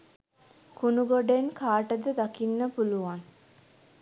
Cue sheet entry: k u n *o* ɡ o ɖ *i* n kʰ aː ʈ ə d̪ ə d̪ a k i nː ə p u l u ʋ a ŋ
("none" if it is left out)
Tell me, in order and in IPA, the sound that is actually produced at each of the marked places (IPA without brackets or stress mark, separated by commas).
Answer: u, e